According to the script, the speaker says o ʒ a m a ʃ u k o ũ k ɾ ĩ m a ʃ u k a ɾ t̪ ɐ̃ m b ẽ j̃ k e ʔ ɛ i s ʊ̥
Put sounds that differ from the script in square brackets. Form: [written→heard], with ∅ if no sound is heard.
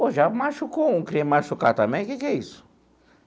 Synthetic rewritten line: o ʒ a m a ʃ u k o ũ k ɾ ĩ m a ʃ u k a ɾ t̪ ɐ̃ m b ẽ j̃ k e [ʔ→k] ɛ i s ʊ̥